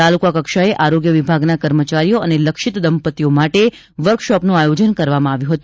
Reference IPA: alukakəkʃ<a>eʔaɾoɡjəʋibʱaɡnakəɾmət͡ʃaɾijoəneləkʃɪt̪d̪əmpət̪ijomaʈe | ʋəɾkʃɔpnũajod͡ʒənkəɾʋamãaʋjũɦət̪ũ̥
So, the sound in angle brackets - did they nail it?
yes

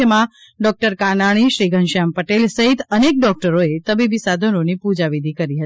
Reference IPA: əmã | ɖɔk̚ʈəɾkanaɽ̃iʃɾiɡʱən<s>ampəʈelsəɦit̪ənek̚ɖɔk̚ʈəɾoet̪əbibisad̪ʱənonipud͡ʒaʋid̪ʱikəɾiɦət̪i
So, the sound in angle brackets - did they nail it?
no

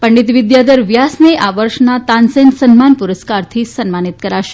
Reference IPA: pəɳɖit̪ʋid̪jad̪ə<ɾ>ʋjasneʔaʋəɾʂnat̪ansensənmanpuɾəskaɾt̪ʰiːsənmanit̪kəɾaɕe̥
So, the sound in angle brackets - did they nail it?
yes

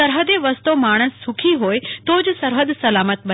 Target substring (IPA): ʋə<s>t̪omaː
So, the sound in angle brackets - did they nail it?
yes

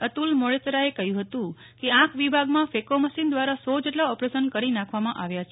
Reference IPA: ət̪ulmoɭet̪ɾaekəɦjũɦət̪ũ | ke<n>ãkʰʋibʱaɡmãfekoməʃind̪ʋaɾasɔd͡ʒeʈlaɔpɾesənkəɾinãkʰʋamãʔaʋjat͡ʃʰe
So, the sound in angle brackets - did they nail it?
no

